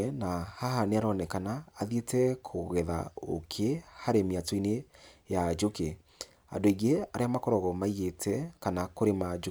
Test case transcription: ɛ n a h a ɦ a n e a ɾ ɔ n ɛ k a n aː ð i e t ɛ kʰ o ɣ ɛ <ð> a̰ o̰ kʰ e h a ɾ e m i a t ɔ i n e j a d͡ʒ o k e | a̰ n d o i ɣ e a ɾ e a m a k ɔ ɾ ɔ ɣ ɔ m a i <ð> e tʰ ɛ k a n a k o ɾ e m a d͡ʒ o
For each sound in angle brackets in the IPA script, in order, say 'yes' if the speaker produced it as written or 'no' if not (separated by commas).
yes, no